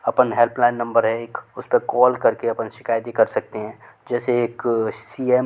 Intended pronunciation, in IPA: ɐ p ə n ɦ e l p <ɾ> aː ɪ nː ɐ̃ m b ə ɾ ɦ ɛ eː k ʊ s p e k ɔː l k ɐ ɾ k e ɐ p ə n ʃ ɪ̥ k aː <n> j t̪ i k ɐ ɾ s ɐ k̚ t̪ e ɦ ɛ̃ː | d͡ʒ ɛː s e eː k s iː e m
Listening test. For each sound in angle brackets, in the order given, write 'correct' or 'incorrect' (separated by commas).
incorrect, incorrect